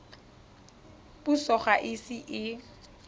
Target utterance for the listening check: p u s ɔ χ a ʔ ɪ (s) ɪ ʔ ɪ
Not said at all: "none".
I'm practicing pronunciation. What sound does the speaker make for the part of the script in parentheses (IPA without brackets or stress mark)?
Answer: s